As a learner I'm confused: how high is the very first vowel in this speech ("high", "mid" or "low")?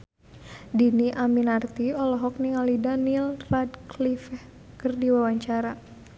high